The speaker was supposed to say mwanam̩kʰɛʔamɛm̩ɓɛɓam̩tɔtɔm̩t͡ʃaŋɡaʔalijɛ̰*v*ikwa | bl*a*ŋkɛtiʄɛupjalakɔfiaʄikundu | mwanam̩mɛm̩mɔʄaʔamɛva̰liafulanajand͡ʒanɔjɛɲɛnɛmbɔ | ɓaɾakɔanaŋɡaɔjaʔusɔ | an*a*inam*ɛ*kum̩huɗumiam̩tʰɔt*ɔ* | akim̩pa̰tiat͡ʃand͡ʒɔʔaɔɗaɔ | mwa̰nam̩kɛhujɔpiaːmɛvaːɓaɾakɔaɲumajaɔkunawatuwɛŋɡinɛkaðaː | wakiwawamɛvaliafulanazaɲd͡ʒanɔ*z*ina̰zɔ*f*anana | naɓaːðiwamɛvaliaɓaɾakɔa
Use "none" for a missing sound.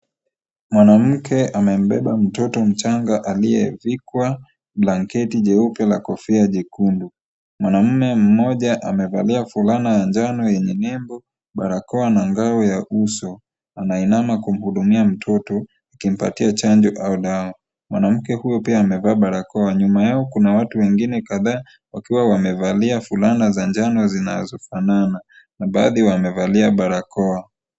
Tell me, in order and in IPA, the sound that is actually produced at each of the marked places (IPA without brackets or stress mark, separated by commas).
v, a, a, a, ɔ, z, f